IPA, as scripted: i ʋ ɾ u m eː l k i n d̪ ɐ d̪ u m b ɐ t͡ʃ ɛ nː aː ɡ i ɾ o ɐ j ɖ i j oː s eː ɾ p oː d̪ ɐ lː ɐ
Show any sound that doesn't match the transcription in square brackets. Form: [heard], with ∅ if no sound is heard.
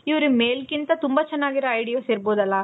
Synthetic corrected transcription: i ʋ ɾ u m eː l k i n [t̪] ɐ [t̪] u m b ɐ t͡ʃ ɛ nː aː ɡ i ɾ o ɐ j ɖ i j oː s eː ɾ [b] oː d̪ ɐ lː ɐ